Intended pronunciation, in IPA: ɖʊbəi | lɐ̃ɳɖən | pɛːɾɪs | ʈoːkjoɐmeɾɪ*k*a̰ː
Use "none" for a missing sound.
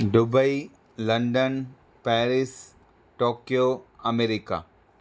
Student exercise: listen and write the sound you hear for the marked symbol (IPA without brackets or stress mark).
k